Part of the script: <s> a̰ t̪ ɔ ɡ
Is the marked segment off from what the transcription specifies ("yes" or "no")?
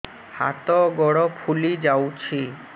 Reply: yes